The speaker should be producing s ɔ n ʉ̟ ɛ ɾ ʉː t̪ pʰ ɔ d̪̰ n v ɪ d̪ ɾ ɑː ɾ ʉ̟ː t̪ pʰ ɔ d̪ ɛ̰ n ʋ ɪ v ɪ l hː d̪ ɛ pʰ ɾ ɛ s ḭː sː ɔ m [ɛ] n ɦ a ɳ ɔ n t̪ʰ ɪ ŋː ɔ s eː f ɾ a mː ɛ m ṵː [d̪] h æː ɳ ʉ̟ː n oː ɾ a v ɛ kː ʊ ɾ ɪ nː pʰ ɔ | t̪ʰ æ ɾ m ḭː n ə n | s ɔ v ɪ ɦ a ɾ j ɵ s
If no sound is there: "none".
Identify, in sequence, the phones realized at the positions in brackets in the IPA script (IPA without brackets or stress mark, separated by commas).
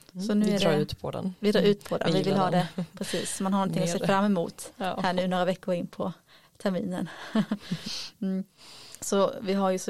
a, t̪